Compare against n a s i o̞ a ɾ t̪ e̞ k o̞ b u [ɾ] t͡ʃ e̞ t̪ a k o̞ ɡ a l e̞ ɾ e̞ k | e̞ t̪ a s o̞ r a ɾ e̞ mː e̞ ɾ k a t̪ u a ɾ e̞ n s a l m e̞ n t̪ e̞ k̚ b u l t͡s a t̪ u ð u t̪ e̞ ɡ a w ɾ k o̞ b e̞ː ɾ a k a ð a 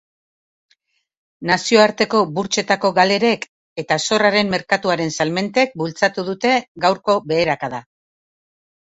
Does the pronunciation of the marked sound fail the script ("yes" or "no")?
no